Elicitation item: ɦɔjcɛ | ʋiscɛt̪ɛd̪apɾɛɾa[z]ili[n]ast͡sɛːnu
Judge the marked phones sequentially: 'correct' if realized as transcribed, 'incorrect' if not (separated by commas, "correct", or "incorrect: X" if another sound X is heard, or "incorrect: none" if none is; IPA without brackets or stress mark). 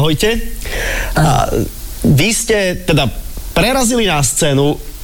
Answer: correct, correct